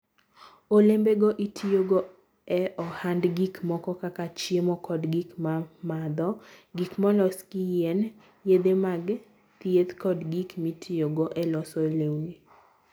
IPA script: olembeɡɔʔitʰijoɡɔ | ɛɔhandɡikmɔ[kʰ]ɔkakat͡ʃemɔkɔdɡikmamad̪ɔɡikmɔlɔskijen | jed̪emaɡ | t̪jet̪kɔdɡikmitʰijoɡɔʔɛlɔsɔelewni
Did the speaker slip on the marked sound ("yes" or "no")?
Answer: yes